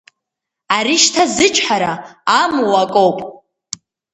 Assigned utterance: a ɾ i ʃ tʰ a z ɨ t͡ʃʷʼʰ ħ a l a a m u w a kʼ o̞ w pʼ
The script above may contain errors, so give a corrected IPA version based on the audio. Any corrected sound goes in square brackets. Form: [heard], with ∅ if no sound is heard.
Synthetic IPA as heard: a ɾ i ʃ tʰ a z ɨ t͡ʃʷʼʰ ħ a [ɾ] a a m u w a kʼ o̞ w pʼ